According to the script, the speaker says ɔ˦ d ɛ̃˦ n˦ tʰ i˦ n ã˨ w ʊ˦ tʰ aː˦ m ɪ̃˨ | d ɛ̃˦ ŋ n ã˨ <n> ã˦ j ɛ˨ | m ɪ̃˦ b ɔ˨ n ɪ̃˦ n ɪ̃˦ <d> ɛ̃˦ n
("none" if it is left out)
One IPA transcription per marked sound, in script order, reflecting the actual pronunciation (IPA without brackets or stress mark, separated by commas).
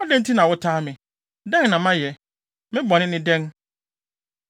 m, d